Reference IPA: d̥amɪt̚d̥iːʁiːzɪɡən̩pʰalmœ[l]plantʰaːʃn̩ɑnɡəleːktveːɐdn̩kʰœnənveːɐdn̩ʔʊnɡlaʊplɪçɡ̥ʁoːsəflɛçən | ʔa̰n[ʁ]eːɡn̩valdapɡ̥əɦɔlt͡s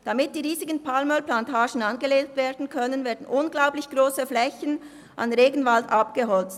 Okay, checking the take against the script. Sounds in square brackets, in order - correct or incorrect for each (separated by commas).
correct, correct